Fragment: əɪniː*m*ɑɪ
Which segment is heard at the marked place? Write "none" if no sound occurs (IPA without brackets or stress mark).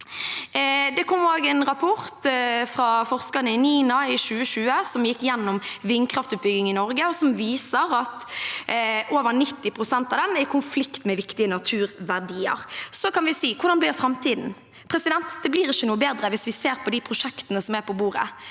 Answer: n